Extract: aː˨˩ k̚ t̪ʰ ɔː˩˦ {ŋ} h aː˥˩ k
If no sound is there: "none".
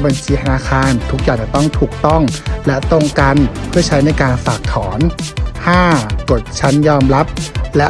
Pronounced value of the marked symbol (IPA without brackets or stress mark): n